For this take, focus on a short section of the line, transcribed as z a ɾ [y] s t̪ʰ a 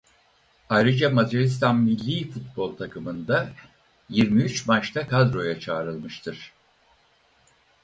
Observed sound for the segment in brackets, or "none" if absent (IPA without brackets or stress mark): i